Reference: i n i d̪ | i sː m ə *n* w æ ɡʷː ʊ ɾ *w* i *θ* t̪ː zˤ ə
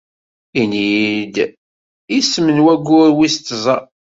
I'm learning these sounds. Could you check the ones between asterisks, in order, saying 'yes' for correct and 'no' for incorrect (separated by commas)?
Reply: yes, yes, no